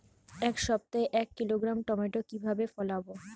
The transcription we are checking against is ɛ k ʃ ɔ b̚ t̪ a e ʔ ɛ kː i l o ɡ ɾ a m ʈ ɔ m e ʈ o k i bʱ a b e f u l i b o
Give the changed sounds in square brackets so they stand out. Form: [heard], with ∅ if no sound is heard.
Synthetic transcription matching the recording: ɛ k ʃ ɔ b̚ t̪ a e ʔ ɛ kː i l o ɡ ɾ a m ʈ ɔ m e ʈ o k i bʱ a b e f [ɔ] l [a] b o